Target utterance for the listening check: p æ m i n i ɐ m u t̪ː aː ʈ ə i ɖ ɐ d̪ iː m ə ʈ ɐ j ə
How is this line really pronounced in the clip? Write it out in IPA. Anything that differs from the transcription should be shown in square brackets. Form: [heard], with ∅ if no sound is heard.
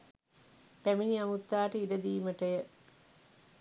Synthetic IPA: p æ m i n i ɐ m u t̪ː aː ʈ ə i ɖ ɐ d̪ iː m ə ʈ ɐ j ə